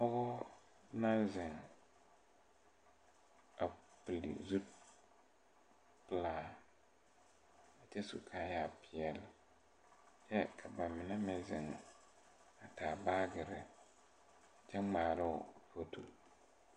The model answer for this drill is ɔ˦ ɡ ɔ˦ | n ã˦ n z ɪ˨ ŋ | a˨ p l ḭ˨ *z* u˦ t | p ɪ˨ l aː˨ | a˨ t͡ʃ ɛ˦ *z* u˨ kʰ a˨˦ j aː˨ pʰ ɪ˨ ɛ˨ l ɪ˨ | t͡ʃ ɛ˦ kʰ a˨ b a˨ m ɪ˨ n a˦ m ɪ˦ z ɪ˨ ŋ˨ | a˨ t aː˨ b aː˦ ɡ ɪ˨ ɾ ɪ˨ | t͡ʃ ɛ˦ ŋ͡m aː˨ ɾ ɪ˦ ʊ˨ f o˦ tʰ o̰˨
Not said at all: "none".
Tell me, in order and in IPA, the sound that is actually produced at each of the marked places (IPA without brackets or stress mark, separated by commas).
z, s